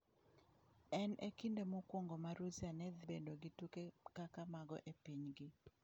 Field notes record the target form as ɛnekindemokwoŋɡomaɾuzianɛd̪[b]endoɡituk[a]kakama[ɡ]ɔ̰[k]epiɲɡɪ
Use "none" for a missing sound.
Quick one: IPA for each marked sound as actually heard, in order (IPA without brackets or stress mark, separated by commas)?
b, e, ɡ, ʔ